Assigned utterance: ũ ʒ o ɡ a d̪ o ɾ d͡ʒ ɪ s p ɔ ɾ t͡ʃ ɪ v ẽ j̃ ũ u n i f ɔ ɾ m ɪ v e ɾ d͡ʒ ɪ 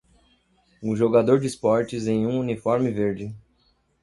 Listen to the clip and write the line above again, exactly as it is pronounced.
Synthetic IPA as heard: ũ ʒ o ɡ a d̪ o ɾ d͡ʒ ɪ s p ɔ ɾ t͡ʃ ɪ z ẽ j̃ ũ u n i f ɔ ɾ m ɪ v e ɾ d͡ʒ ɪ